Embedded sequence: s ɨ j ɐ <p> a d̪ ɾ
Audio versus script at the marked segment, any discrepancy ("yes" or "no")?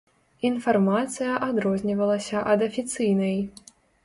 yes